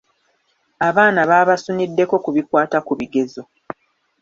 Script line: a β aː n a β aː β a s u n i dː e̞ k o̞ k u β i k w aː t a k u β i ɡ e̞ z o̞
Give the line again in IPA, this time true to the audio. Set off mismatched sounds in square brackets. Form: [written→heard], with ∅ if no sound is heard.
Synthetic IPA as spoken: a β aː n a β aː β a s u n i dː e̞ k o̞ k u β i k w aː t a k u β i ɡ e̞ z o̞